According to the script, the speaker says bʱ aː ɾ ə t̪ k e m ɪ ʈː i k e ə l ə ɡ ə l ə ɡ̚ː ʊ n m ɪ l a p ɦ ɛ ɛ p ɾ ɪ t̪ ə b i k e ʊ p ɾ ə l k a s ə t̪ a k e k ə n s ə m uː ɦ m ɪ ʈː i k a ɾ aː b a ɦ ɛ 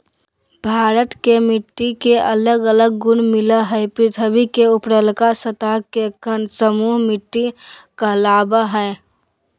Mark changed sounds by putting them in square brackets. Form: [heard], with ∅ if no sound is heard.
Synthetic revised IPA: bʱ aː ɾ ə t̪ k e m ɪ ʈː i k e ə l ə ɡ ə l ə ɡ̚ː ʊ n m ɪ l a [∅] ɦ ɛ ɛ p ɾ ɪ [t̪ʰ] ə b i k e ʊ p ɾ ə l k a s ə t̪ a k e k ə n s ə m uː ɦ m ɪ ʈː i k a [l] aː b a ɦ ɛ